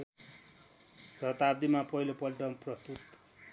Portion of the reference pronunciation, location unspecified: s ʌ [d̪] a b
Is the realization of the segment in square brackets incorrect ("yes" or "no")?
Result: yes